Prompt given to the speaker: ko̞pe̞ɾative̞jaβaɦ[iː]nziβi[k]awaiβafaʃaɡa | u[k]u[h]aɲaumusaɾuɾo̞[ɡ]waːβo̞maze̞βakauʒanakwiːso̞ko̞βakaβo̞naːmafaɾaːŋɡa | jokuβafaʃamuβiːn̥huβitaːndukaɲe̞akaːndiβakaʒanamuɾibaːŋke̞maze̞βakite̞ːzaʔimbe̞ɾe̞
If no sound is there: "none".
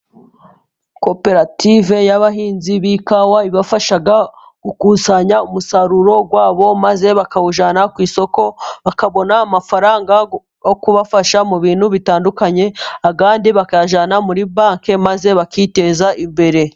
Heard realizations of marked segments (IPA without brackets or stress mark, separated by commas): iː, k, k, s, ɡ